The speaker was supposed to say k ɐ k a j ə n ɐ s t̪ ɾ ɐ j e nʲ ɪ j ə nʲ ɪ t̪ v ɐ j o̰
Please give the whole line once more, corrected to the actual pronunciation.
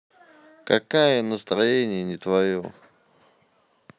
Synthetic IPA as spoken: k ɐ k a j ə n ə s t̪ ɾ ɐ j e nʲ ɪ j ə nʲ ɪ t̪ v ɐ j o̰